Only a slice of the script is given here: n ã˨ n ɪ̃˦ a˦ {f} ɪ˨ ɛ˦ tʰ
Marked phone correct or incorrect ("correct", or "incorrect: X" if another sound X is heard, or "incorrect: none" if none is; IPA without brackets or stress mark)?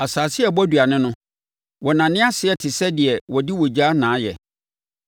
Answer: incorrect: s